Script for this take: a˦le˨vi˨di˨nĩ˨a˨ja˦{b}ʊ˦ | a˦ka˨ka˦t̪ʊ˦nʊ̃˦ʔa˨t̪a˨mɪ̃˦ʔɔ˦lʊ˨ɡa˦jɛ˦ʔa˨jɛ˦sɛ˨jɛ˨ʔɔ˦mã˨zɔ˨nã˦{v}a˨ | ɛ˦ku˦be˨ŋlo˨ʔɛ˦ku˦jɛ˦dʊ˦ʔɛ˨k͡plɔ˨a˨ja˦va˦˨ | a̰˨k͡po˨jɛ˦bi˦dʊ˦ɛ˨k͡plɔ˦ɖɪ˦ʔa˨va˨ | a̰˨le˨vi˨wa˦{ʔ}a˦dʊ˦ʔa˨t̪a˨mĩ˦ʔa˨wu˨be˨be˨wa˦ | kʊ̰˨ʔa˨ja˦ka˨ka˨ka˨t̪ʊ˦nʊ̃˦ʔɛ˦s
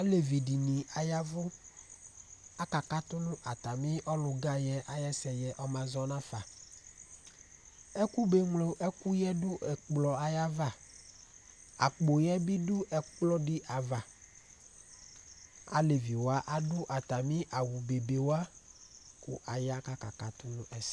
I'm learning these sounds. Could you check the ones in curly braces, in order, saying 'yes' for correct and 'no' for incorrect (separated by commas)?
no, no, yes